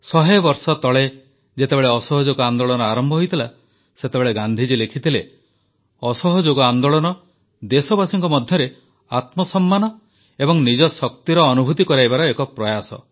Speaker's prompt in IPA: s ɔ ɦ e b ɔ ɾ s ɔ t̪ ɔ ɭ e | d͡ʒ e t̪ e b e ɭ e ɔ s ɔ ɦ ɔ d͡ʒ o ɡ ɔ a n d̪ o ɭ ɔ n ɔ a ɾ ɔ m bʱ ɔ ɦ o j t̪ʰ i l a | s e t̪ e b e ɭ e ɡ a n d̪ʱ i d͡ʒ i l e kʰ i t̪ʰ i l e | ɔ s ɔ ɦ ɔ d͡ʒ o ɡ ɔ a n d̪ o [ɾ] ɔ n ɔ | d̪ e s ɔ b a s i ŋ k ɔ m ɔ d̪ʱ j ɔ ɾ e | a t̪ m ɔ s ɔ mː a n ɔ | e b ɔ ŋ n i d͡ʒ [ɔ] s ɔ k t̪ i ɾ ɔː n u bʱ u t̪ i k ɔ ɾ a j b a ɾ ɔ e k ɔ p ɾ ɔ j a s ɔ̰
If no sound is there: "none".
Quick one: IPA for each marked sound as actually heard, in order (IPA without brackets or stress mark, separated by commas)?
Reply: ɭ, ɔ